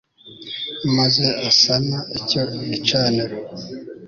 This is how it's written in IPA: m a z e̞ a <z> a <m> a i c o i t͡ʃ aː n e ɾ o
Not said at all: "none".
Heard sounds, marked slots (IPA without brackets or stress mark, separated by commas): s, n